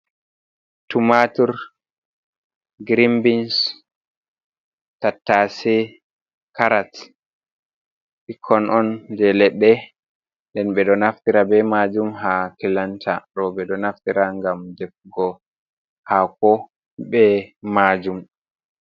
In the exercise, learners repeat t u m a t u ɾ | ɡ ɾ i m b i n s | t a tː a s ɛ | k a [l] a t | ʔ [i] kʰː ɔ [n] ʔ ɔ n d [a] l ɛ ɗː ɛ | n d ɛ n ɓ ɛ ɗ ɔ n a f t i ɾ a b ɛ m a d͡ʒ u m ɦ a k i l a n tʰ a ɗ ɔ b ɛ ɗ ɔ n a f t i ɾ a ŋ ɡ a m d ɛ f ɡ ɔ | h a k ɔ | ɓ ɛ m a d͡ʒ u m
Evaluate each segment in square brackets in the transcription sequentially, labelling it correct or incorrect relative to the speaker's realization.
incorrect, correct, correct, incorrect

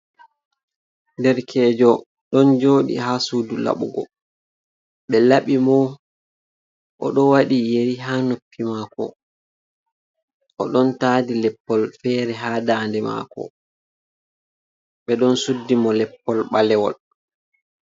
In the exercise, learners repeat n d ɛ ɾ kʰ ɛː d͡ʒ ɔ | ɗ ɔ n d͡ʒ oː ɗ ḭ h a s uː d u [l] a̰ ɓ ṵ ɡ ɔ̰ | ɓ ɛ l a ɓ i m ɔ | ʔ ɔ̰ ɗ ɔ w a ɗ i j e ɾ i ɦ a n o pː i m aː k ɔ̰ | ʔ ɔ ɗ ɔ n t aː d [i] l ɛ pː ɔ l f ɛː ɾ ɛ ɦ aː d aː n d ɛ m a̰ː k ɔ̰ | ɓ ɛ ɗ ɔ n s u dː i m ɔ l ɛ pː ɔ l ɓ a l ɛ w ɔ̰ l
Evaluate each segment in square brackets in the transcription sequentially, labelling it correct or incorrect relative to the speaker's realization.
correct, correct

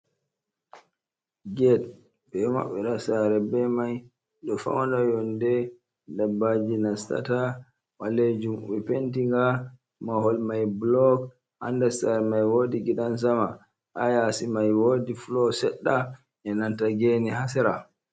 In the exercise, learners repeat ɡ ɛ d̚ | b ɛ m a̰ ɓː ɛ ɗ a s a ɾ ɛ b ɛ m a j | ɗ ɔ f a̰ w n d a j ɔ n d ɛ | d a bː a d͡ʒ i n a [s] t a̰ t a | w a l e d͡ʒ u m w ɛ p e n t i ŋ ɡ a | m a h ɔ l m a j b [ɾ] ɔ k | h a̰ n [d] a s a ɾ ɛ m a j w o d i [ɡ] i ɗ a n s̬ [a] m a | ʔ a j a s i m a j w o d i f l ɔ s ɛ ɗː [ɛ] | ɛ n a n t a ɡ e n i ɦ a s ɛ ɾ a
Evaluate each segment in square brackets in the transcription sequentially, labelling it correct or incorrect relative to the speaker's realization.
correct, incorrect, correct, correct, correct, incorrect

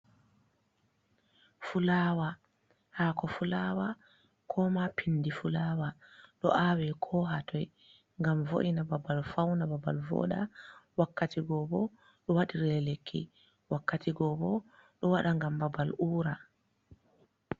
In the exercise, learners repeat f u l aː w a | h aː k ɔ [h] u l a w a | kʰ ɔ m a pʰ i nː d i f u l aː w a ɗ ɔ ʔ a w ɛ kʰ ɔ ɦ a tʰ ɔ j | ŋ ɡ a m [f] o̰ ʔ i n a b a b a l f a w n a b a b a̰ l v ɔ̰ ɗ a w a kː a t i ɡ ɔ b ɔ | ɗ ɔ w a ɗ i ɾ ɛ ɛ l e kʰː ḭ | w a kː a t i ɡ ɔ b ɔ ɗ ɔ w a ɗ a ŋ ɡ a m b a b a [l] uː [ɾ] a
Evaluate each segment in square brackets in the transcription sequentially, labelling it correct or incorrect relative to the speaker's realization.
incorrect, incorrect, correct, correct

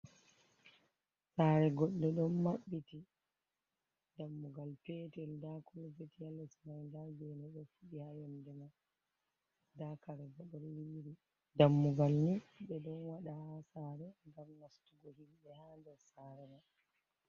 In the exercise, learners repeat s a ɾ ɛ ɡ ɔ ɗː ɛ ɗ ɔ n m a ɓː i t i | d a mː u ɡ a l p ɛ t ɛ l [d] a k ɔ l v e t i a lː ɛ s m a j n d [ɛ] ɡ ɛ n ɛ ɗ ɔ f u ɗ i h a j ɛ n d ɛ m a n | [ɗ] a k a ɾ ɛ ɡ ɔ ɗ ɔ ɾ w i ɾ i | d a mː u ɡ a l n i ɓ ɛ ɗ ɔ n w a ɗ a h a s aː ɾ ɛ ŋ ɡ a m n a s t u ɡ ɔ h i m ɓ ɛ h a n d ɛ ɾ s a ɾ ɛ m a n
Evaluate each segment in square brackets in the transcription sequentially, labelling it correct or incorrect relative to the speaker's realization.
correct, incorrect, incorrect

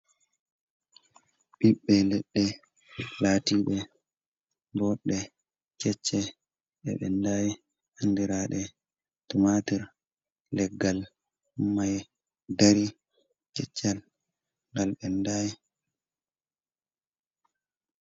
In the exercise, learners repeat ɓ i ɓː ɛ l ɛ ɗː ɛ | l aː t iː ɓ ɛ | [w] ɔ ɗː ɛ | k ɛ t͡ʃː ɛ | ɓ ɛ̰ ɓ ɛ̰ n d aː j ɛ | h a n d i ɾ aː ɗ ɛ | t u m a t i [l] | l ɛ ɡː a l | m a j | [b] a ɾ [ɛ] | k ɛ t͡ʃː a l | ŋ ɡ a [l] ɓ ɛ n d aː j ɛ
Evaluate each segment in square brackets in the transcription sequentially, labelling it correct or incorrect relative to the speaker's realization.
incorrect, incorrect, incorrect, incorrect, correct

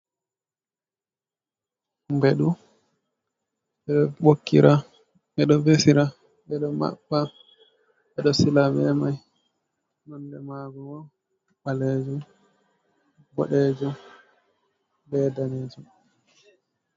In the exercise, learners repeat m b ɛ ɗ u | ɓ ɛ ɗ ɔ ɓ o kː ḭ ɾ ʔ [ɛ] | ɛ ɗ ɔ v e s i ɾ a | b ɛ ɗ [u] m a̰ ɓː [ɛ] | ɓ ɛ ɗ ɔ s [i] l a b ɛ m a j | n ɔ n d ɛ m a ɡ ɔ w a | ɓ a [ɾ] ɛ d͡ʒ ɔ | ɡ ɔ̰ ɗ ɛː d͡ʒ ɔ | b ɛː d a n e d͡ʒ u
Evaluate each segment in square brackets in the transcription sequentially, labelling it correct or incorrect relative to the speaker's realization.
incorrect, incorrect, incorrect, correct, incorrect

